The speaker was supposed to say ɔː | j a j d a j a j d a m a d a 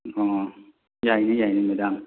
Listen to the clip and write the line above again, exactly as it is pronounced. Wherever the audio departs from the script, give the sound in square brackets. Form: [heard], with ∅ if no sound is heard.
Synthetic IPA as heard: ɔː | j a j [n] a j a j [n] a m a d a